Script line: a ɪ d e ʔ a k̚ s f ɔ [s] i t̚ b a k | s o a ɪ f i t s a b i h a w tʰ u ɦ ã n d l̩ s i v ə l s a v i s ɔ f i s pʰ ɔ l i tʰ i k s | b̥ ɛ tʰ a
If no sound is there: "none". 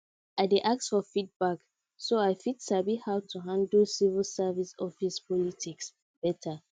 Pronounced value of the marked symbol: f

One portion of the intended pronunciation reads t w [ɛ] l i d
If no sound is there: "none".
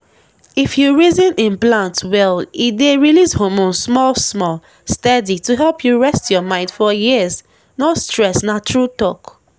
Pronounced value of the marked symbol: ɛ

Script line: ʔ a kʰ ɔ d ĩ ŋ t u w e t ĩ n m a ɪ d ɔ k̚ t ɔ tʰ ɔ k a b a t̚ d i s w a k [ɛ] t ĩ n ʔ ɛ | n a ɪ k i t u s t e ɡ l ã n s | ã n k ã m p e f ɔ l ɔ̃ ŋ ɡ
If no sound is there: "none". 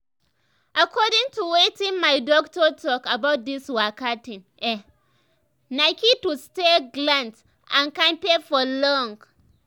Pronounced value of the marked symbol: a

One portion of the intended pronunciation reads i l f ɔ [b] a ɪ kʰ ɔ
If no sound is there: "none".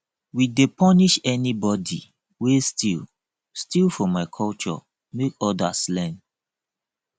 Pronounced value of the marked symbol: m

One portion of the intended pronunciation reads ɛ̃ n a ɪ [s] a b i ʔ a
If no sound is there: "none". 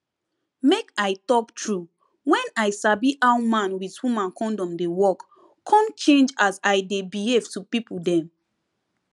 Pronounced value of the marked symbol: s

